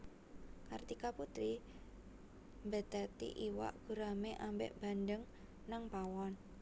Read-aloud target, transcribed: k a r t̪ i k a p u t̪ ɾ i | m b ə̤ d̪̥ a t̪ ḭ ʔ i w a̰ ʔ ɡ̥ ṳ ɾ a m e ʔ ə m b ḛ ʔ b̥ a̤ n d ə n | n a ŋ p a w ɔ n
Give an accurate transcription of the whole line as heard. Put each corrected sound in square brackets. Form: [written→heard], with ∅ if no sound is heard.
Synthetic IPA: k a r t̪ i k a p u t̪ ɾ i | m b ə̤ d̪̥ a t̪ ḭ ʔ i w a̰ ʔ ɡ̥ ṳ ɾ a m e ʔ [ə→a] m b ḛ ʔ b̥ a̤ n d ə [n→ŋ] | n a ŋ p a w ɔ n